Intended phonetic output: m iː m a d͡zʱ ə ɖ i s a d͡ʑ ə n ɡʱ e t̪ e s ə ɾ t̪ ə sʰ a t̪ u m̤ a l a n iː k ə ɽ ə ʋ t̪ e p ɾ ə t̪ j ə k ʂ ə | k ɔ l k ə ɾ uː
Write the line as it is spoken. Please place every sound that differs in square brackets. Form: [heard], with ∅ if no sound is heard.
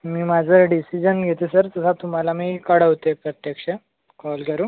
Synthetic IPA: m iː m a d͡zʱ ə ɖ i s [i] d͡ʑ ə n ɡʱ e t̪ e s ə ɾ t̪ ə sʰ a t̪ u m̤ a l a [m] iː k ə ɽ ə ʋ t̪ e p ɾ ə t̪ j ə k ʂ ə | k ɔ l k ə ɾ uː